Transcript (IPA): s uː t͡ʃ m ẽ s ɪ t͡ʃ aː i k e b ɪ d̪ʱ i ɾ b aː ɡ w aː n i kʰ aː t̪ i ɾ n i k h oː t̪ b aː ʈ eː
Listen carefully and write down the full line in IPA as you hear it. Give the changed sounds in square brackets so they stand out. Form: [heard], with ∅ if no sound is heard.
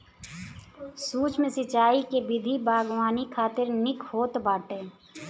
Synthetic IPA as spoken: s uː t͡ʃ m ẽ s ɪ t͡ʃ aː i k e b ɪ d̪ʱ i [∅] b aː ɡ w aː n i kʰ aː t̪ [ɪ] ɾ n [ɪ] k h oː t̪ b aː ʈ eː